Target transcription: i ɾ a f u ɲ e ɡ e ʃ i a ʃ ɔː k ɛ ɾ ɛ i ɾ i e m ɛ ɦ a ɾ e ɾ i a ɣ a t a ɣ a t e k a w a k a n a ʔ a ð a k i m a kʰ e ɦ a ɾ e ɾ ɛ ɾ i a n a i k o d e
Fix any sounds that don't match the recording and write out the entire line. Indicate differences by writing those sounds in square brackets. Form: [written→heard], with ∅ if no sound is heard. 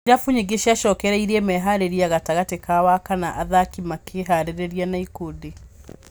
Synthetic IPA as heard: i ɾ a f u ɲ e ɡ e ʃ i a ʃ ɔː k ɛ ɾ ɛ i ɾ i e m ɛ ɦ a ɾ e ɾ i a ɣ a t a ɣ a t e k a w a k a n a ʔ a ð a k i m a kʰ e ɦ a ɾ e ɾ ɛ ɾ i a n a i k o d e